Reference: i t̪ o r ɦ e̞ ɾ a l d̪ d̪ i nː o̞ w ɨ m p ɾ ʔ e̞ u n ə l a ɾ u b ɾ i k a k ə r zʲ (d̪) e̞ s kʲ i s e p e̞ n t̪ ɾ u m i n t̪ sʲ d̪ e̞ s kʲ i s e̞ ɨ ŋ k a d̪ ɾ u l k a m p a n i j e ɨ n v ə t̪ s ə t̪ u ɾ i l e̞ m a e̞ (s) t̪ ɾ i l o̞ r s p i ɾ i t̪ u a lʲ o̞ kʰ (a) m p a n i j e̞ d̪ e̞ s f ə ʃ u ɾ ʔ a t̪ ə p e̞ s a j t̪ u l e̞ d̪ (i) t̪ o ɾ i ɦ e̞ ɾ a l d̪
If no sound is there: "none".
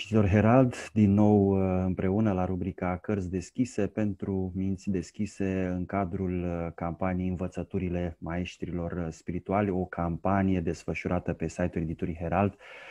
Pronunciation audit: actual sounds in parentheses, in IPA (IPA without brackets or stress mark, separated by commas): d̪, ʃ, a, i